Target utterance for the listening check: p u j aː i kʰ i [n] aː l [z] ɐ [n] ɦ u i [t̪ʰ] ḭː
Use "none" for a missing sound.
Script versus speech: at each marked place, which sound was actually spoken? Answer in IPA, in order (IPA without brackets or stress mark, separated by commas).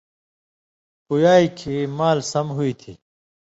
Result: m, s, m, t̪ʰ